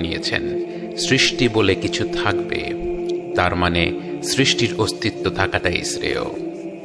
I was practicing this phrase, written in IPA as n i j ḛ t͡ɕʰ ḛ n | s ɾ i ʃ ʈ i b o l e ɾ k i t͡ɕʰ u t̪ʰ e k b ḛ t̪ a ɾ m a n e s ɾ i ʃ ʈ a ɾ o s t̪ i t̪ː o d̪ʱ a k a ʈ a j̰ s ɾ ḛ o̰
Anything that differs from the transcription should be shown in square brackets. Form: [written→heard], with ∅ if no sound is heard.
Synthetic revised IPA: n i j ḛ t͡ɕʰ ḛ n | s ɾ i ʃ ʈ i b o l e [ɾ→∅] k i t͡ɕʰ u t̪ʰ [e→a] k b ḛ t̪ a ɾ m a n e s ɾ i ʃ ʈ [a→i] ɾ o s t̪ i t̪ː o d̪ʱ a k a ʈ a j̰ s ɾ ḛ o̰